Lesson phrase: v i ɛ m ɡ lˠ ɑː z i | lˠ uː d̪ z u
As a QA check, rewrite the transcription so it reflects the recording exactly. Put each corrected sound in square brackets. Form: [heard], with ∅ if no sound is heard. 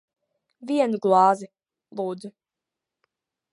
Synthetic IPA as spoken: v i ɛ [n] ɡ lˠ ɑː z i | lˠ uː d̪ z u